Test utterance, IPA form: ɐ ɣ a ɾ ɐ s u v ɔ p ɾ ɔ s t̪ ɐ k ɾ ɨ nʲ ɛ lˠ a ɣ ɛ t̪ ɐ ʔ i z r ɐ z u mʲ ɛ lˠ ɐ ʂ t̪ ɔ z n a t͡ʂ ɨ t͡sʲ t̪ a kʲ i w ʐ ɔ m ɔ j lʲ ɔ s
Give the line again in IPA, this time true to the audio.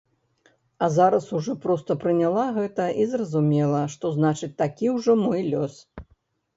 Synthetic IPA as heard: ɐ z a ɾ ɐ s u ʐ ɔ p ɾ ɔ s t̪ ɐ p ɾ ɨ nʲ a lˠ a ɣ ɛ t̪ ɐ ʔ i z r ɐ z u mʲ ɛ lˠ ɐ ʂ t̪ ɔ z n a t͡ʂ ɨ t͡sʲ t̪ a kʲ i w ʐ ɔ m ɔ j lʲ ɔ s